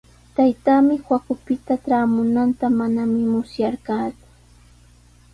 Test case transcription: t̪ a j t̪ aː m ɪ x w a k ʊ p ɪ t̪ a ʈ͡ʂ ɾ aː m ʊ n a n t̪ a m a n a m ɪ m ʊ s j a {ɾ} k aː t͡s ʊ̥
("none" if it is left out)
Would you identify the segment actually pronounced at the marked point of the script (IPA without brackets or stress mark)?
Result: ɾ